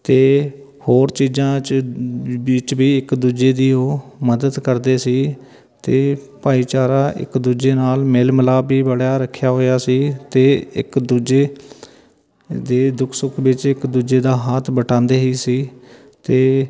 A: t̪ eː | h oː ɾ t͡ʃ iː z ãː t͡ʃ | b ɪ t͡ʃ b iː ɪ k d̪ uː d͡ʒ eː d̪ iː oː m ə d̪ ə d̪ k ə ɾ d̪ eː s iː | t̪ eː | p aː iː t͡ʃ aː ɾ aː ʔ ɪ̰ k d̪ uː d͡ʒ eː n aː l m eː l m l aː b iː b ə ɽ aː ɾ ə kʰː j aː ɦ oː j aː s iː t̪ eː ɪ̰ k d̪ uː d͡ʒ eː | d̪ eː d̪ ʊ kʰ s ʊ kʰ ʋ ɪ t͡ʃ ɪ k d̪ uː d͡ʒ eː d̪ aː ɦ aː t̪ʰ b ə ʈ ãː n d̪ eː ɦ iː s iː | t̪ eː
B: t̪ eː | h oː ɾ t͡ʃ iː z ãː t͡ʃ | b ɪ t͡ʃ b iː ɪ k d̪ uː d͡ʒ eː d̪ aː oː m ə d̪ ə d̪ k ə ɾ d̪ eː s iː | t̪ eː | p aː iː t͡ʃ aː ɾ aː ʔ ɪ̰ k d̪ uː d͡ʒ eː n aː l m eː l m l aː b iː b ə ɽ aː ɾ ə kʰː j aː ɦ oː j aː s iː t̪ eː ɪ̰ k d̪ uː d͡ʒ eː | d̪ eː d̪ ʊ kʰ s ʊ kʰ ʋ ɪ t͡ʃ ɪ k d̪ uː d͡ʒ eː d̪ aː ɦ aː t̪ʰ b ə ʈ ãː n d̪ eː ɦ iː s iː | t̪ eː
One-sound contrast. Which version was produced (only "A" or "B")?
A